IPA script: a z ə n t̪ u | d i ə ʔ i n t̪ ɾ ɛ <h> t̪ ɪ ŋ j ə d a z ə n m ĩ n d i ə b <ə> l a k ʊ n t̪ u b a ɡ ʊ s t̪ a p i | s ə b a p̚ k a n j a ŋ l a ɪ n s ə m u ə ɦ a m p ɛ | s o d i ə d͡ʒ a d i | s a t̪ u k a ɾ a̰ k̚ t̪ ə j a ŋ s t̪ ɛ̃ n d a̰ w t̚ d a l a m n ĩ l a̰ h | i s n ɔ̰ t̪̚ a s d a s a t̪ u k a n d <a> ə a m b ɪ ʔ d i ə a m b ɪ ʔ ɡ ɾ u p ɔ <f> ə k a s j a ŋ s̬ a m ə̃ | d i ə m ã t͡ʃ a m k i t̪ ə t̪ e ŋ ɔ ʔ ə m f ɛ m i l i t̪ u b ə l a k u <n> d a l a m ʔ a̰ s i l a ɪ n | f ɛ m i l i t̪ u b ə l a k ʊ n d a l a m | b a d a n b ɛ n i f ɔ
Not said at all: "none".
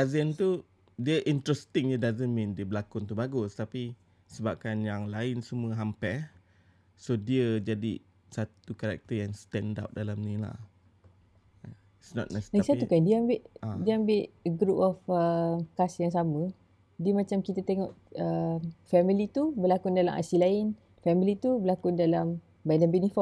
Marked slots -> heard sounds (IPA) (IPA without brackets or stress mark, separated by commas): s, ə, i, f, n